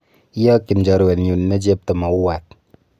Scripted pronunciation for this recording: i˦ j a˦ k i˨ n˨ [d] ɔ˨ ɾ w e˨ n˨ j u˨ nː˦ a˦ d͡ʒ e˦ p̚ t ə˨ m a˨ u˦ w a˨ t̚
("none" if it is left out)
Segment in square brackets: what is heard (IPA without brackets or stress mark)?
d͡ʒ